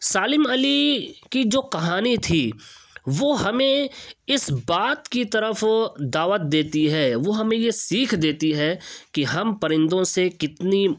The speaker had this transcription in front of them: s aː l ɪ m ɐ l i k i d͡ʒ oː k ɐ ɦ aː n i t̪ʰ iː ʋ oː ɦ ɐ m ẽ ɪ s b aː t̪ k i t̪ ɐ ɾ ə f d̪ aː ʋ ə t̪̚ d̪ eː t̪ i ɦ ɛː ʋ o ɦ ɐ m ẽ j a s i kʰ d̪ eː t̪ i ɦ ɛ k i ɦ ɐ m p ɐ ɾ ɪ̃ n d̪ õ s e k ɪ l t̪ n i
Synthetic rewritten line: s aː l ɪ m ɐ l i k i d͡ʒ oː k ɐ ɦ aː n i t̪ʰ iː ʋ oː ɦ ɐ m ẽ ɪ s b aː t̪ k i t̪ ɐ ɾ ə f d̪ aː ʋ ə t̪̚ d̪ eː t̪ i ɦ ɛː ʋ o ɦ ɐ m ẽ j e s iː kʰ d̪ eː t̪ i ɦ ɛ k i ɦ ɐ m p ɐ ɾ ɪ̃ n d̪ õ s e k ɪ t̪ n i